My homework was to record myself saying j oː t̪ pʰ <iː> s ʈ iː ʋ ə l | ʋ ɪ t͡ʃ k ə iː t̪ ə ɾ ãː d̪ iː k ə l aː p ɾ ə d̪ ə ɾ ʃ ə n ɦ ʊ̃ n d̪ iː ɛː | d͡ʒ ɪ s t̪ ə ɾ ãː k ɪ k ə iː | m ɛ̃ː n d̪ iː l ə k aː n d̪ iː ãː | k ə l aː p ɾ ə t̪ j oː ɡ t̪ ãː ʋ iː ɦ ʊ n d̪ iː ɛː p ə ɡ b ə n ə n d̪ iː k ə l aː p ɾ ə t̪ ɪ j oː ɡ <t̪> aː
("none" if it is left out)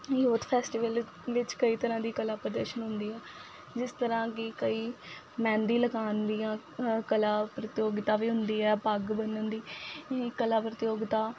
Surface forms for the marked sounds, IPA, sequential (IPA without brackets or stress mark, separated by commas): ɛː, t̪